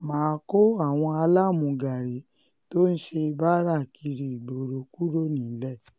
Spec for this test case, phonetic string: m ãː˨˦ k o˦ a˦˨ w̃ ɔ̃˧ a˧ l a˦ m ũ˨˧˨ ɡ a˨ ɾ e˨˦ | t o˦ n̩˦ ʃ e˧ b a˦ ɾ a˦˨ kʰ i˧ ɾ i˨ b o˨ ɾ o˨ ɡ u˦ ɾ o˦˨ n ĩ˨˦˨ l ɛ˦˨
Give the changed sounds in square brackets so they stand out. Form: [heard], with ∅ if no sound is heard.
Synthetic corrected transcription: m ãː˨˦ k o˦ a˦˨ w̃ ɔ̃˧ a˧ l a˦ m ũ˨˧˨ ɡ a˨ ɾ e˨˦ | t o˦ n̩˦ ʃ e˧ b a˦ ɾ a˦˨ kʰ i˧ ɾ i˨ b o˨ ɾ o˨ [k] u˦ ɾ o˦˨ n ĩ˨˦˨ l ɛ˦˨